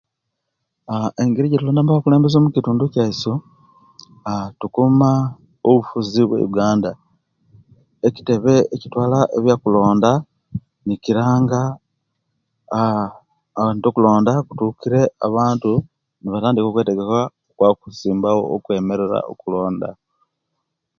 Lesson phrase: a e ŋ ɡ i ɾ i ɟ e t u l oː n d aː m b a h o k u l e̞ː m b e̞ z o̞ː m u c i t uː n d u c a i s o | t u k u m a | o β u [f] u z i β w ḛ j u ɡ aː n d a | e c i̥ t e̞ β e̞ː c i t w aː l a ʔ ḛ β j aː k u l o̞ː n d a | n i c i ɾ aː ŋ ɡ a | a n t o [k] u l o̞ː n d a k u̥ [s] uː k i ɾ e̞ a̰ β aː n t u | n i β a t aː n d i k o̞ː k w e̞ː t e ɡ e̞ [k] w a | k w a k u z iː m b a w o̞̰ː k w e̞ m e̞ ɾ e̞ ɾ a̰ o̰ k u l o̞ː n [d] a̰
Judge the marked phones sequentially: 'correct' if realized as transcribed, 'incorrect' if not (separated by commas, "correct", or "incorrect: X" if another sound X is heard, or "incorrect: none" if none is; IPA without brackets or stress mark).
correct, correct, incorrect: t, correct, correct